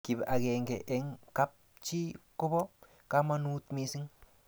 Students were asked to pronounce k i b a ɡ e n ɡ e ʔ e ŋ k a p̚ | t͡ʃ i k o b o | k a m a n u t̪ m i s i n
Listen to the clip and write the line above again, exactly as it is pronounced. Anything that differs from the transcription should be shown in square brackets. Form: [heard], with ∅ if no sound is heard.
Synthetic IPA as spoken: k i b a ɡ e [ŋ] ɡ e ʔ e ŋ k a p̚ | t͡ʃ i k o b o | k a m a n u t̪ m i s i [ŋ]